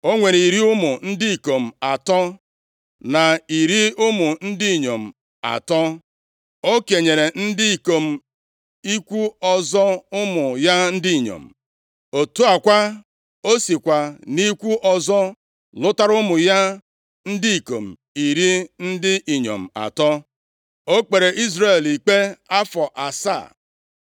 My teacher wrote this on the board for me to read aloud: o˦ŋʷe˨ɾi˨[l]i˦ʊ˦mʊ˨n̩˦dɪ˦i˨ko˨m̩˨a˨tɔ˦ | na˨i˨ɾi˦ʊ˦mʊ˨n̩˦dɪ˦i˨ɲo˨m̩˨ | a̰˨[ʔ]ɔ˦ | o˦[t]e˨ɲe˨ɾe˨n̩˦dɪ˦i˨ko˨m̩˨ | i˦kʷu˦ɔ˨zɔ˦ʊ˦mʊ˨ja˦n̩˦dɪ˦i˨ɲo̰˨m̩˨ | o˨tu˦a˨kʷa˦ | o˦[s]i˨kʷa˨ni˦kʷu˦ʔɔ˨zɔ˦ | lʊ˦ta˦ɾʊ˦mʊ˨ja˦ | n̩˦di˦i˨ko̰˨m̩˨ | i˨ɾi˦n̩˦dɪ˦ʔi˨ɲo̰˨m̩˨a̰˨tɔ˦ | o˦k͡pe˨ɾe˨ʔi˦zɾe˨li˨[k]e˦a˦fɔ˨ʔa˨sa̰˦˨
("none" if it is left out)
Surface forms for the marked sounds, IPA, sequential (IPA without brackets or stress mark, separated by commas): ɾ, t, k, s, k͡p